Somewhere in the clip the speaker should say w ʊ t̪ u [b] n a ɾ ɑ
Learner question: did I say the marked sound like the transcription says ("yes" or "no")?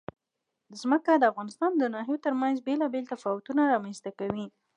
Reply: no